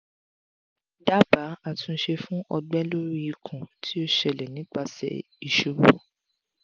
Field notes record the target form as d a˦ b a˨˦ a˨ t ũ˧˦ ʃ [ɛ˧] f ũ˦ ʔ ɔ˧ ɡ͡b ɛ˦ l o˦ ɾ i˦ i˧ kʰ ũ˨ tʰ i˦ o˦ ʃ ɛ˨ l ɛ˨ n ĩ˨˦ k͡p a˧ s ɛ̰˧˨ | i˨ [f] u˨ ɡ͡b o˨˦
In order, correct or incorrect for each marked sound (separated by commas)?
incorrect, incorrect